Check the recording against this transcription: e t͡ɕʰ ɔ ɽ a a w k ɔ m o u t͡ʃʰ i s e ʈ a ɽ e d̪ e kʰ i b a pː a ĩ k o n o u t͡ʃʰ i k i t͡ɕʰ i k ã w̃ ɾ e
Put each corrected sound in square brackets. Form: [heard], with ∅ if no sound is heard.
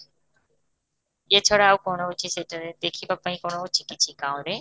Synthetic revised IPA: e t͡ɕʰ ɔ ɽ a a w k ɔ [n] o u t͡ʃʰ i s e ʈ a [ɾ] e d̪ e kʰ i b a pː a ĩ k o n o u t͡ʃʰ i k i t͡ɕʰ i k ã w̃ ɾ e

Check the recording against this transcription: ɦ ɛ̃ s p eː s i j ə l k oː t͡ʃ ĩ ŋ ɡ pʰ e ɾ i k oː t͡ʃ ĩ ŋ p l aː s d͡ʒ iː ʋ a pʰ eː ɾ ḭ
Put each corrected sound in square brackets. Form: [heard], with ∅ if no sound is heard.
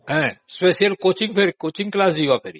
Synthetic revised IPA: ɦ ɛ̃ s p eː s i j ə l k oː t͡ʃ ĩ ŋ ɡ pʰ e ɾ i k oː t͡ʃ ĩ ŋ [k] l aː s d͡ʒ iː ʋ a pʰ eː ɾ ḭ

